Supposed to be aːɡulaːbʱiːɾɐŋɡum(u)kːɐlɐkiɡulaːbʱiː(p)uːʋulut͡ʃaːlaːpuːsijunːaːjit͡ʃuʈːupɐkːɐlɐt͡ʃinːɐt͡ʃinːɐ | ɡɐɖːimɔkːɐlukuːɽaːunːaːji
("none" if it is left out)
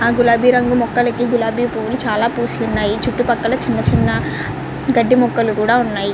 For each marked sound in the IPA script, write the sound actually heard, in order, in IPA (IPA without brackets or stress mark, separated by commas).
ɔ, p